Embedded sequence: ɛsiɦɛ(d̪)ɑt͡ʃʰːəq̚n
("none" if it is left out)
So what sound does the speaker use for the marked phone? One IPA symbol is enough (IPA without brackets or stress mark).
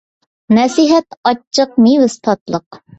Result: t̪